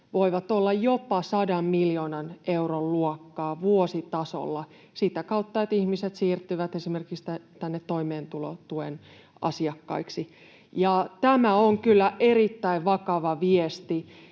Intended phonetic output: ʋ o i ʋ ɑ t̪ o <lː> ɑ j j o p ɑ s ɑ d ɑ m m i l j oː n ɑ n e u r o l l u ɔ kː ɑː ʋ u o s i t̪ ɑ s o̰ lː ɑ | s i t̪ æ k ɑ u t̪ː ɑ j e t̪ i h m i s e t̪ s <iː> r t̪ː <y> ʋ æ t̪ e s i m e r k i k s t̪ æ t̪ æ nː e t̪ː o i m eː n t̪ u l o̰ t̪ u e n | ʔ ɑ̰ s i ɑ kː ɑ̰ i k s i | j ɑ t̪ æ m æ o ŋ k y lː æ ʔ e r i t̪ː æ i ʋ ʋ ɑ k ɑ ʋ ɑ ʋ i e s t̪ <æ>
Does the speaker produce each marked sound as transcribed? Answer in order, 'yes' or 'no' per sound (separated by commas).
yes, yes, yes, no